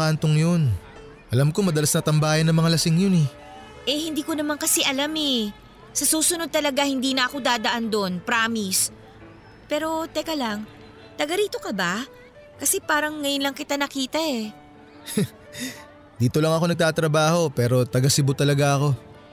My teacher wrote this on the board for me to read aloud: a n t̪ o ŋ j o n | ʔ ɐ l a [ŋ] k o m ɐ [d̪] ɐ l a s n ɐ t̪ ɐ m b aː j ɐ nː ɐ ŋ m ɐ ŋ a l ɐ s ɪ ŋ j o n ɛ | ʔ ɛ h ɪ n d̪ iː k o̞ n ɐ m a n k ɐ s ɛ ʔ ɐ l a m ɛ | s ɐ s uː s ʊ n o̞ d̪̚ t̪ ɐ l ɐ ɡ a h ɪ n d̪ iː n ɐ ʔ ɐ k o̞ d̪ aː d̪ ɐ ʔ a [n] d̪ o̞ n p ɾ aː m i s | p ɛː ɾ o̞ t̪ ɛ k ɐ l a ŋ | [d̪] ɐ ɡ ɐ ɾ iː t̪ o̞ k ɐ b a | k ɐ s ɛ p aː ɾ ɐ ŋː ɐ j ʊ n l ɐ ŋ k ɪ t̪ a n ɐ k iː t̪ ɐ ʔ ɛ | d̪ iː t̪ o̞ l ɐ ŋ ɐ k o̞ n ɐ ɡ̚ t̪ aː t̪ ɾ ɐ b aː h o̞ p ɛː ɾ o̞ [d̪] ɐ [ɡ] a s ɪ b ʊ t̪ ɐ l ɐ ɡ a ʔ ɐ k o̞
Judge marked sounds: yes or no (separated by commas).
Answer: no, yes, yes, no, no, yes